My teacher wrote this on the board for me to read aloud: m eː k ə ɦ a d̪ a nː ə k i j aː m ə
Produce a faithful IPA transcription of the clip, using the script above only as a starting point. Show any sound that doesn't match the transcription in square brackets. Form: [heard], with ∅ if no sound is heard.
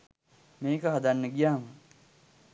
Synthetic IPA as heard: m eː k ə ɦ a d̪ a nː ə [ɡ] i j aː m ə

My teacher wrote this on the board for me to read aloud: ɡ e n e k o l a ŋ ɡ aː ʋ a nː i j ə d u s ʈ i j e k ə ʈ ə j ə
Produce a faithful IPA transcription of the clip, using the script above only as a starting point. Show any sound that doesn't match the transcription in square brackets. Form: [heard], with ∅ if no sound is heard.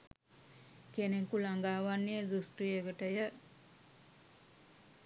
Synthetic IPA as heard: [k] e n e k [u] l a ŋ ɡ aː ʋ a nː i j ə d u s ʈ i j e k ə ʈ ə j ə

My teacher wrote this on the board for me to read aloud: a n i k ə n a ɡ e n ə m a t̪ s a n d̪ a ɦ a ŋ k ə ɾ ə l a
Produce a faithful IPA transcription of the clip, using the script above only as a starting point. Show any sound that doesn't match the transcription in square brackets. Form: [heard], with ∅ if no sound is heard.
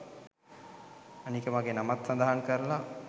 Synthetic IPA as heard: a n i k ə [m] a ɡ e n [a] m a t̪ s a n d̪ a ɦ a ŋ k ə ɾ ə l a

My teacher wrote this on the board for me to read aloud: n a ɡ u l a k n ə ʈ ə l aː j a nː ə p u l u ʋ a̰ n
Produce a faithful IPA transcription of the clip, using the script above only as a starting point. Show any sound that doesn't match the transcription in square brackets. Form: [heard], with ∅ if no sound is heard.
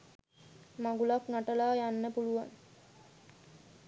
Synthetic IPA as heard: [m] a ɡ u l a k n [a] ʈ ə l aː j a nː ə p u l u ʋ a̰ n

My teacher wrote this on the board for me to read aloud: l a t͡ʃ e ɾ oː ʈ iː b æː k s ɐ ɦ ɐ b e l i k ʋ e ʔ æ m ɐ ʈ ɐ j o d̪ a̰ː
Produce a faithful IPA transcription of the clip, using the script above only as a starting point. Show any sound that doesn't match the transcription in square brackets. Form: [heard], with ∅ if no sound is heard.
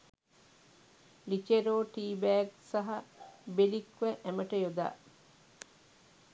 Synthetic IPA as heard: l [i] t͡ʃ e ɾ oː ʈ iː b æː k s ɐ ɦ ɐ b e l i k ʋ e ʔ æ m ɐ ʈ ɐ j o d̪ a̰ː

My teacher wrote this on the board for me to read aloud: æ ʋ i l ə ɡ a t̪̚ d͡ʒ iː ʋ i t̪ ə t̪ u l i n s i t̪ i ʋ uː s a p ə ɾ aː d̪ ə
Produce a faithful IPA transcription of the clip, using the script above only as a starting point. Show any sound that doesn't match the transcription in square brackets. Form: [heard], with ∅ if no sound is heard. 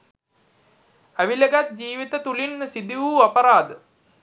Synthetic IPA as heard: æ ʋ i l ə ɡ a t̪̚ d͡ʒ iː ʋ i t̪ ə t̪ u l i n s i [d̪] i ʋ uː [∅] a p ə ɾ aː d̪ ə

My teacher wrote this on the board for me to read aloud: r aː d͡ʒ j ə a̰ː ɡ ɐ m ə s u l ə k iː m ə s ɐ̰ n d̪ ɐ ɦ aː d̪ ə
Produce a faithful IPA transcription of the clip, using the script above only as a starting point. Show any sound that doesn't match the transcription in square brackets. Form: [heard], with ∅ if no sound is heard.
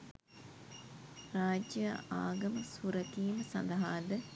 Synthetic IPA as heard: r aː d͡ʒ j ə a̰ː ɡ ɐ m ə s u [ɾ] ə k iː m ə s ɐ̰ n d̪ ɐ ɦ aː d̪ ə

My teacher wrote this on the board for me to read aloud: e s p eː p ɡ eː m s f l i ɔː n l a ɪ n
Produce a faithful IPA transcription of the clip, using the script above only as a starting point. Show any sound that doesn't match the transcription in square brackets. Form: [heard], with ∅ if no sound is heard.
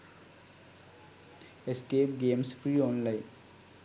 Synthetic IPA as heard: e s [k] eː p ɡ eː m s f [ɾ] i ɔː n l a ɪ n

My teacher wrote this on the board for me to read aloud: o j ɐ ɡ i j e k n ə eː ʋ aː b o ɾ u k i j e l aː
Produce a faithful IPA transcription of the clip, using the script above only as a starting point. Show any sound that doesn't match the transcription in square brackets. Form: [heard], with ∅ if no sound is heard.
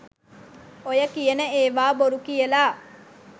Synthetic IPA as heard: o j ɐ [k] i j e [∅] n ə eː ʋ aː b o ɾ u k i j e l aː

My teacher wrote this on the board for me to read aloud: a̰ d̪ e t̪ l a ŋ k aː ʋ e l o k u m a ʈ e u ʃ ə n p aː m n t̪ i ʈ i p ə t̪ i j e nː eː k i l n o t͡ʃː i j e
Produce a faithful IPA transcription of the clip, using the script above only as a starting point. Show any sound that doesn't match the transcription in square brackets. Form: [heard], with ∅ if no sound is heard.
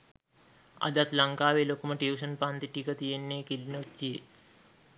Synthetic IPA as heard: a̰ d̪ [a] t̪ l a ŋ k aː ʋ e l o k u m [ə] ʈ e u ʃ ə n p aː [∅] n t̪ i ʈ i [k] ə t̪ i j e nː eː k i l n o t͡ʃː i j e

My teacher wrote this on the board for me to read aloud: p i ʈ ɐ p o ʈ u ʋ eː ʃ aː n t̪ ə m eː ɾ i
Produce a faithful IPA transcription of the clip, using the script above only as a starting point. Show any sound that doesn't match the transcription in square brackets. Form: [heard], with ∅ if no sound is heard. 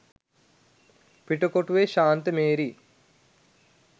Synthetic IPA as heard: p i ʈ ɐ [k] o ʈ u ʋ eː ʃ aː n t̪ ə m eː ɾ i

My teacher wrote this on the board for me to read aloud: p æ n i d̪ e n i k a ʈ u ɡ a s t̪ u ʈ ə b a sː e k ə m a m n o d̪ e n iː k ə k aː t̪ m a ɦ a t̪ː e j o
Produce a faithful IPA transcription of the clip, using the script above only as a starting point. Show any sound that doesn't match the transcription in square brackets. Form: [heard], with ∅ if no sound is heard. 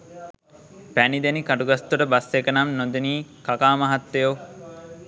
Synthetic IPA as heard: p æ n i d̪ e n i k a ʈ u ɡ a s t̪ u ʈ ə b a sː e k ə [n] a m n o d̪ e n iː k [a] k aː [∅] m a ɦ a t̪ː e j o

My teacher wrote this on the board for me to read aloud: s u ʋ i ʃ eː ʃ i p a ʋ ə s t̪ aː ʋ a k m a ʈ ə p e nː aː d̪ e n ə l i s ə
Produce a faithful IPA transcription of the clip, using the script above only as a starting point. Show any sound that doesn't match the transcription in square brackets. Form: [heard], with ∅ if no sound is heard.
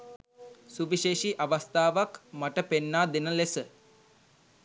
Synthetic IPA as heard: s u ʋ i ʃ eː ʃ i [ʔ] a ʋ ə s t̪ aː ʋ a k m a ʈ ə p e nː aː d̪ e n ə l [e] s ə

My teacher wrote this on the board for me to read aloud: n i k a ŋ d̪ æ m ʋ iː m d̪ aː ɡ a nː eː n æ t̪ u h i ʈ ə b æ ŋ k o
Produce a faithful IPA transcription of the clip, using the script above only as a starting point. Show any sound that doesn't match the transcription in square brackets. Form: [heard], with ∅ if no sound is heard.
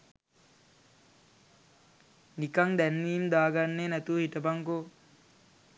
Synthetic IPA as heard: n i k a ŋ d̪ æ [n] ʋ iː m d̪ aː ɡ a nː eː n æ t̪ u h i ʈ ə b [a] ŋ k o

